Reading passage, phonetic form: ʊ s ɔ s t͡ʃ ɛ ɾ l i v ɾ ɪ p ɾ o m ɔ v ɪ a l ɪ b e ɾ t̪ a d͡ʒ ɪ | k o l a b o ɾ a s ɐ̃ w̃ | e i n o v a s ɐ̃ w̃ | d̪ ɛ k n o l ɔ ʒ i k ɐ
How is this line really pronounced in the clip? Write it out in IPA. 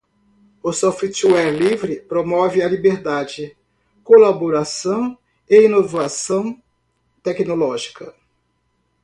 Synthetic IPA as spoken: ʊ s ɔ f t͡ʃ ɛ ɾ l i v ɾ ɪ p ɾ o m ɔ v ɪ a l i b e ɾ d̪ a d͡ʒ ɪ | k o l a b o ɾ a s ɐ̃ w̃ | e i n o v a s ɐ̃ w̃ | t̪ ɛ k n o l ɔ ʒ i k ɐ